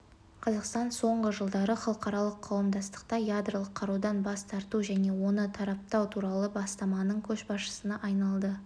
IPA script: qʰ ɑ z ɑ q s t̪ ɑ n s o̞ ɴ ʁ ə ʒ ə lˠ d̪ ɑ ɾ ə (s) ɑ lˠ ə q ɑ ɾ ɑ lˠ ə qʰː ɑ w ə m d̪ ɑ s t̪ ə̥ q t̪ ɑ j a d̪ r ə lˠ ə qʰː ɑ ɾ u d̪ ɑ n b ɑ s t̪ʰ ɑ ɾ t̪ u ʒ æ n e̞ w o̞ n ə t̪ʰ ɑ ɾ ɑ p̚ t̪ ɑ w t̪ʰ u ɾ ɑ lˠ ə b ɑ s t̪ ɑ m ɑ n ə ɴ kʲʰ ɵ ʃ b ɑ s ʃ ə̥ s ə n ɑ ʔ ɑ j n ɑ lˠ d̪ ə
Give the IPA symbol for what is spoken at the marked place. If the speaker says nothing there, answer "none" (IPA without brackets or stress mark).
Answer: χ